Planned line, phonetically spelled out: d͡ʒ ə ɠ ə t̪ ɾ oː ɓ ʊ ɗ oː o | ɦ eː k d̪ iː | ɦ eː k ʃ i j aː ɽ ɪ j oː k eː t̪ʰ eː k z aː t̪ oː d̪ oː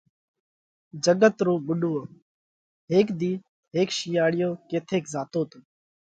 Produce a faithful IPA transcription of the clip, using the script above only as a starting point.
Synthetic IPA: d͡ʒ ə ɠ ə t̪ ɾ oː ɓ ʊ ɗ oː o | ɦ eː k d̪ iː | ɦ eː k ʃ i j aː ɽ ɪ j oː k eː t̪ʰ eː k z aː t̪ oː t̪ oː